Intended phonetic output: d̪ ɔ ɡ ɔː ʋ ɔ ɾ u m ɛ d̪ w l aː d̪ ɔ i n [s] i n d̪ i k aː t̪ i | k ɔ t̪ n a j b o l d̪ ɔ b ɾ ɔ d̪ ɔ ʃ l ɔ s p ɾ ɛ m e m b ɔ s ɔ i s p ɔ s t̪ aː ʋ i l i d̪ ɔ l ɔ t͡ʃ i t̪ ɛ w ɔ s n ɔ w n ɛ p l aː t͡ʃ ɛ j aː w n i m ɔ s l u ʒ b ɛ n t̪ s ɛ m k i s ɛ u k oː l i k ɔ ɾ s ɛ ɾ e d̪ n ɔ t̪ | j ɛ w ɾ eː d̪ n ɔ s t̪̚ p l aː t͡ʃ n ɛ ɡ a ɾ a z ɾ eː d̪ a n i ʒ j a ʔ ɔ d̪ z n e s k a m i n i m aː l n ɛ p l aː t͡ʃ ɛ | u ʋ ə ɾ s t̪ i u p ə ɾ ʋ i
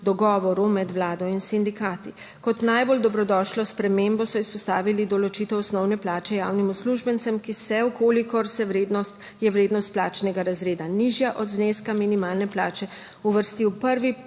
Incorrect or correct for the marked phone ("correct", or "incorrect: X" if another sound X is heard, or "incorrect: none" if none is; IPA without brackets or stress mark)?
correct